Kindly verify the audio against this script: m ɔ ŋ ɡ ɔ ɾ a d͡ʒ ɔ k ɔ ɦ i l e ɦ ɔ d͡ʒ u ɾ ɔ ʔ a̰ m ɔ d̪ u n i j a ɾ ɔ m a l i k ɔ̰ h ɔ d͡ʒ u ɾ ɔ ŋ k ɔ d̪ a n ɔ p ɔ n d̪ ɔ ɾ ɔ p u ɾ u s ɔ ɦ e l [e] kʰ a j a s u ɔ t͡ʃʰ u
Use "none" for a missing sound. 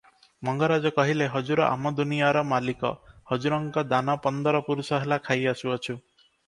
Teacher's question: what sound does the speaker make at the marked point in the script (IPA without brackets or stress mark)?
a